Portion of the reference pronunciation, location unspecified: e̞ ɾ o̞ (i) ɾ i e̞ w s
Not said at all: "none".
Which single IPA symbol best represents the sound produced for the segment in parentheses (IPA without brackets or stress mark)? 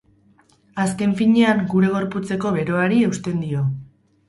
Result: a